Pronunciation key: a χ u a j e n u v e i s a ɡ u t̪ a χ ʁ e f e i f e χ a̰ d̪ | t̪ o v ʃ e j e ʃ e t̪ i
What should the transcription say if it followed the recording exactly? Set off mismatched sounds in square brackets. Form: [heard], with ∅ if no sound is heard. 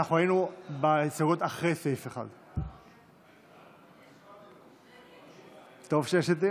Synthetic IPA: a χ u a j [i] n u [b] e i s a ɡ [o] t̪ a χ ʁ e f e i f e χ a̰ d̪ | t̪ o v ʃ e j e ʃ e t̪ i